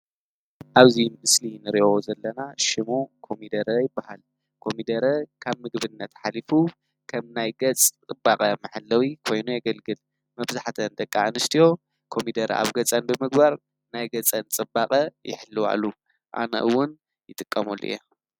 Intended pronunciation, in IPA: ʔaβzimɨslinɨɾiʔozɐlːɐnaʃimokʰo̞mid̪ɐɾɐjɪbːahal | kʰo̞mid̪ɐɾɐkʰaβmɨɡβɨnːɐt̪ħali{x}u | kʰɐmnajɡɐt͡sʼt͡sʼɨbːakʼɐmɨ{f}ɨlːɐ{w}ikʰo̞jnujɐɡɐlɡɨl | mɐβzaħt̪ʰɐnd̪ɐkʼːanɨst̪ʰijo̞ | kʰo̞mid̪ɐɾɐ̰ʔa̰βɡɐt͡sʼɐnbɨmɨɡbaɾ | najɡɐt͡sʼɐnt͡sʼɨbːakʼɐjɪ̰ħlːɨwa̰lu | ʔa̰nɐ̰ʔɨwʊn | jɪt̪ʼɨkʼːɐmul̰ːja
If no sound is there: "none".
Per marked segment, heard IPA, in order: f, ħ, w

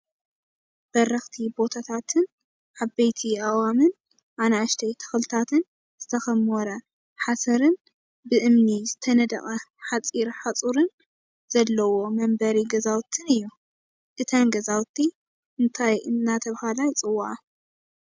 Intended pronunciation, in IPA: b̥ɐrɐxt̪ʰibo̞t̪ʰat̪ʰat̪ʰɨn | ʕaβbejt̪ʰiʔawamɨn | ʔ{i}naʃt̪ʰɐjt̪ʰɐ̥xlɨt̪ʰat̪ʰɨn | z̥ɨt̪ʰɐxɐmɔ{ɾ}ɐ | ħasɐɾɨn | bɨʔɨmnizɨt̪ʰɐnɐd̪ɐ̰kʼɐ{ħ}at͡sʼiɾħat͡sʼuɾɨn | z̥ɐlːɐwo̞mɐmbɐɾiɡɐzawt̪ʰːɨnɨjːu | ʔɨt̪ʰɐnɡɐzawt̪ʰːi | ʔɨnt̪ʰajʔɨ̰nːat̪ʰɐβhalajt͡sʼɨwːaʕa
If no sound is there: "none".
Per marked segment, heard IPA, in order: a, ɾ, ħ

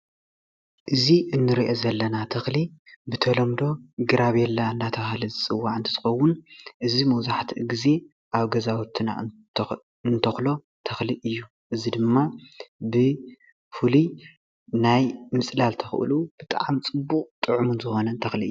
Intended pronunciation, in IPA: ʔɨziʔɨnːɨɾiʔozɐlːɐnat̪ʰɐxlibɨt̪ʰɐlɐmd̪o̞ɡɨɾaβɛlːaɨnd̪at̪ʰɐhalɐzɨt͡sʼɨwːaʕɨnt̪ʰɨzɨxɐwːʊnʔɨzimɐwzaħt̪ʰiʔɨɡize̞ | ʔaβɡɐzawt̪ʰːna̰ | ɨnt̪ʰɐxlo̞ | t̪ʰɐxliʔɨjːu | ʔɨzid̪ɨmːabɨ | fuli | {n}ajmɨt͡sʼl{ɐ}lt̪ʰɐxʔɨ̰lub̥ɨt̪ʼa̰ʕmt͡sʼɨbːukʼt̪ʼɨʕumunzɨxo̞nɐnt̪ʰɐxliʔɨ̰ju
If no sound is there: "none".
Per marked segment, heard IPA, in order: n, a

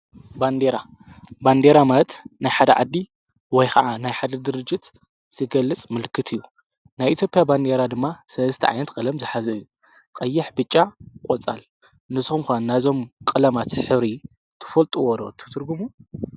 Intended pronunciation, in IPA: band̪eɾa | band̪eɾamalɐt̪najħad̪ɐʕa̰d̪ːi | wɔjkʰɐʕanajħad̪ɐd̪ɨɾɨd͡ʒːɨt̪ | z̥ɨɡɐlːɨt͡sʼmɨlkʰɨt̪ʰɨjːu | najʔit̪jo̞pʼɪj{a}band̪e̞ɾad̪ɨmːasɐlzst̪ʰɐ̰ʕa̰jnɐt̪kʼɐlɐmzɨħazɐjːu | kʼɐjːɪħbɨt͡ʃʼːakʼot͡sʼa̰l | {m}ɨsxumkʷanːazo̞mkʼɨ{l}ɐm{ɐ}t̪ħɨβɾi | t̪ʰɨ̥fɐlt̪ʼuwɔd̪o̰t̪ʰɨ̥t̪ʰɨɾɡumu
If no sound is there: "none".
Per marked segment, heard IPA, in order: a, n, l, a

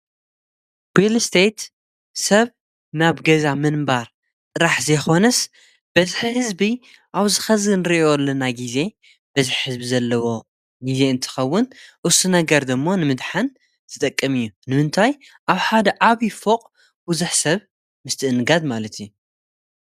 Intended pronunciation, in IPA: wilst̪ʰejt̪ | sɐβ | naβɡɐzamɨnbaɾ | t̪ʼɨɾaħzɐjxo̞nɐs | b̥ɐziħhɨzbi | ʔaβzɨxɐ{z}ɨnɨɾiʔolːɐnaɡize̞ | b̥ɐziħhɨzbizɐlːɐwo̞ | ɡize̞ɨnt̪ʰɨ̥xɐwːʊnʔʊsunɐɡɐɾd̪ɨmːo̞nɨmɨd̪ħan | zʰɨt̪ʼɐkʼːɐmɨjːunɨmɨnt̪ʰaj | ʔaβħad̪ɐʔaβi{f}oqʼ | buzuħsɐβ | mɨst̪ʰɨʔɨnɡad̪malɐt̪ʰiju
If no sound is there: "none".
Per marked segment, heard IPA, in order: z, f

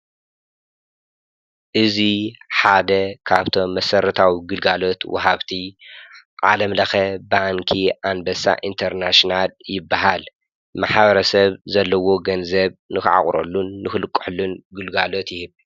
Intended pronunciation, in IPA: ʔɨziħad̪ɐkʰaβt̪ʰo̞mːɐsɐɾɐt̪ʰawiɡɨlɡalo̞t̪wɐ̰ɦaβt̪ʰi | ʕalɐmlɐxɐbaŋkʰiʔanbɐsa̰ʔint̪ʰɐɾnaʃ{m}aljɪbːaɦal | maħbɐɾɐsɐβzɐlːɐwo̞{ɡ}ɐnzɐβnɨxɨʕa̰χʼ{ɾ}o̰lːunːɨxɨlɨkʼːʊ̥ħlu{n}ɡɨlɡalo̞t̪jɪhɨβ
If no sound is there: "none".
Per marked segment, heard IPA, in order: n, ɡ, ɾ, n

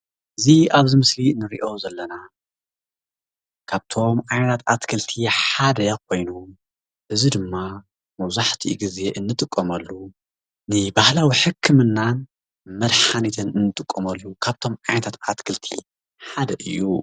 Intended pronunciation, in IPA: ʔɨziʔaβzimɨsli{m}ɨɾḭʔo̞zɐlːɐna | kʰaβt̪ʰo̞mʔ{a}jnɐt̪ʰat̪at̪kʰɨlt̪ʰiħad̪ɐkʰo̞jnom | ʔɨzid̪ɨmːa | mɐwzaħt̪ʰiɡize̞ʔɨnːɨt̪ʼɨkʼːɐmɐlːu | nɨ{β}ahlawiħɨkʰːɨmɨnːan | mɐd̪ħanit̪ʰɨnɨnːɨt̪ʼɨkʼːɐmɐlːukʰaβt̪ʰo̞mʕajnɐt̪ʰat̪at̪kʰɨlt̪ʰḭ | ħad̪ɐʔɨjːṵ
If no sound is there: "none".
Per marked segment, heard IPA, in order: n, a, b

